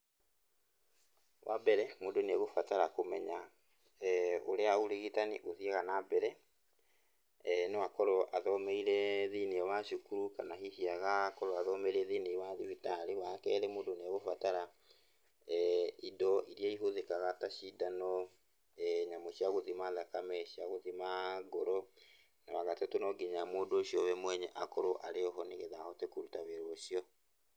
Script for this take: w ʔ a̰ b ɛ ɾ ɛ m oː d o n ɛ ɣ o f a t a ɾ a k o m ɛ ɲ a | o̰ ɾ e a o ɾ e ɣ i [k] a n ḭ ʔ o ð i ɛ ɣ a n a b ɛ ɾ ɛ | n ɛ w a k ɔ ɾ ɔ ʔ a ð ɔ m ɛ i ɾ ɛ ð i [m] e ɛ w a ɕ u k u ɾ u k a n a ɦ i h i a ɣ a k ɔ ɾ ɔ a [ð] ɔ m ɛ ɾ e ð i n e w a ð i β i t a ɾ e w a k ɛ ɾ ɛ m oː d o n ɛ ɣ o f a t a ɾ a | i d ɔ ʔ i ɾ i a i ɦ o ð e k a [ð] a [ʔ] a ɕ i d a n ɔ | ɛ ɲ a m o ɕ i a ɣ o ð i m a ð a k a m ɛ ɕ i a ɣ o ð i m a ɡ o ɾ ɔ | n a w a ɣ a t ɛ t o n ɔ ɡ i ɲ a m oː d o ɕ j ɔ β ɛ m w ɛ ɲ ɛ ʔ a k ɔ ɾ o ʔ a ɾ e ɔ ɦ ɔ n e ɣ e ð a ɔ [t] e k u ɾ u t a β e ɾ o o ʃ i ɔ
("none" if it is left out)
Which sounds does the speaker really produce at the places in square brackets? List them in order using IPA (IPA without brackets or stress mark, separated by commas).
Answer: t, n, ð, ɣ, t, t